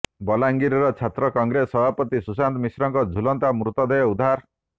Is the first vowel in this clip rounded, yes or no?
yes